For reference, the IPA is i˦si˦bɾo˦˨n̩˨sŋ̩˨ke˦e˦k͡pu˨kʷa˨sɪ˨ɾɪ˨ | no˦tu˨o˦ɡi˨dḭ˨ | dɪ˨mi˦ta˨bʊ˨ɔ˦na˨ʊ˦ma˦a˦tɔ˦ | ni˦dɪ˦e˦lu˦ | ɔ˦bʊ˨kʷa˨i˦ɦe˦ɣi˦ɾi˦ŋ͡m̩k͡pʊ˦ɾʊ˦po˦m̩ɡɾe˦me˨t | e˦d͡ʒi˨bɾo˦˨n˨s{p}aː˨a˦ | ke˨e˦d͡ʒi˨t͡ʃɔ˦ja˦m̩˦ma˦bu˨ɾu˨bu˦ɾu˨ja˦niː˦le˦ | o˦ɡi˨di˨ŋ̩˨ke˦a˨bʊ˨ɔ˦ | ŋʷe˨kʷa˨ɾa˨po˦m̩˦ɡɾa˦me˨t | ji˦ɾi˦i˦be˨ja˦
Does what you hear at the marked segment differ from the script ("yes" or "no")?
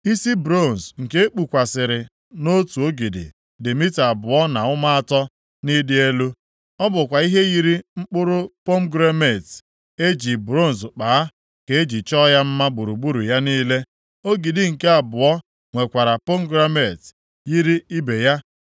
yes